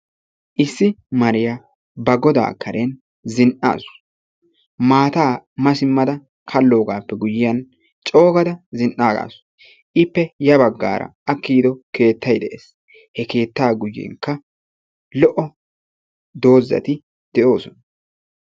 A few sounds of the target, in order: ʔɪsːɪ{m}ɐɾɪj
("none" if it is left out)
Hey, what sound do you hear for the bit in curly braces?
m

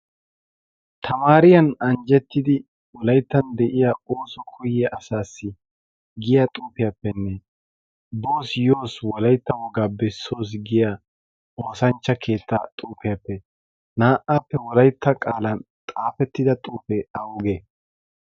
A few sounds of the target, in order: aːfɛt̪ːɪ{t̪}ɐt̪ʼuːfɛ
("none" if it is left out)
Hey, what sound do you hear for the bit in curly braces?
d̪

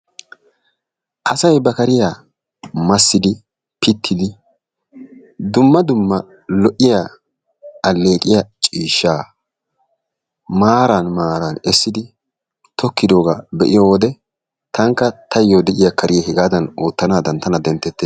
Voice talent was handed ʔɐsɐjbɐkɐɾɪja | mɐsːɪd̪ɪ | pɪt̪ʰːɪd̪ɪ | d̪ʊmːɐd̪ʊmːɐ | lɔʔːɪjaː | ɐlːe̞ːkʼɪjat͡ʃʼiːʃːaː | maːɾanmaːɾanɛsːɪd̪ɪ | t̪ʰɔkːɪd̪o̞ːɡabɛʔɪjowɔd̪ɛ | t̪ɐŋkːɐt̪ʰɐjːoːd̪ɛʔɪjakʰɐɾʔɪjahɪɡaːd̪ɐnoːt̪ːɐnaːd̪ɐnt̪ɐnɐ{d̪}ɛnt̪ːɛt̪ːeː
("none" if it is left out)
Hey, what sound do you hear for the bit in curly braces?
d̪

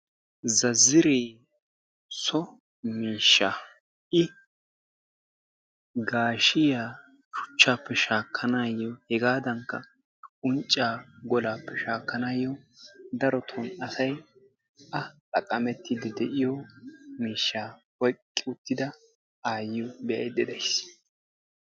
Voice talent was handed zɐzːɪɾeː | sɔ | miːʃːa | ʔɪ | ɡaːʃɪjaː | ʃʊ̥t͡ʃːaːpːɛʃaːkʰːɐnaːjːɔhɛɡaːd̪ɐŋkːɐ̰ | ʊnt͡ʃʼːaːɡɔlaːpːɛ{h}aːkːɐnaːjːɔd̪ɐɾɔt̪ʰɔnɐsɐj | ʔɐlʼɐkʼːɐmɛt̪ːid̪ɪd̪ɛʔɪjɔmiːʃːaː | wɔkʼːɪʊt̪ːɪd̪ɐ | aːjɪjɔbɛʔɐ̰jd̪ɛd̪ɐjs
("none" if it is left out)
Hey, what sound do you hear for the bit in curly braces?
ʃ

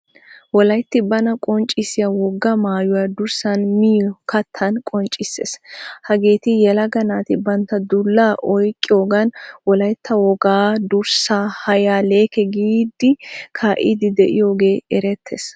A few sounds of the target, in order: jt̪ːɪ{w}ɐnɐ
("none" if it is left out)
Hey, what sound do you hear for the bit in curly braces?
b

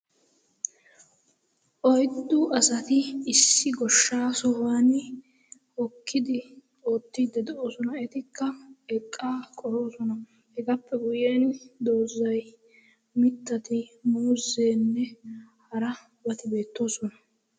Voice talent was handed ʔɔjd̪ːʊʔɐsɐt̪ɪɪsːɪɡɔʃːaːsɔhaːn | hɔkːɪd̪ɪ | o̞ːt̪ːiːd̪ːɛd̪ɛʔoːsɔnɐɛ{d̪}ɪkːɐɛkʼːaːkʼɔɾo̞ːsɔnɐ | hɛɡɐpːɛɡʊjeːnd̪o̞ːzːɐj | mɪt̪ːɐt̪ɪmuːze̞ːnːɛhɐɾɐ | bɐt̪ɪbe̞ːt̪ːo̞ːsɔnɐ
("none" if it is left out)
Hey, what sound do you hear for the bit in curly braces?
t̪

